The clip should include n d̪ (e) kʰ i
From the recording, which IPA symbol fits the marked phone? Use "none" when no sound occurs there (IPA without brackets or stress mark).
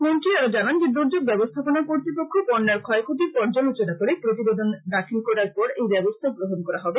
a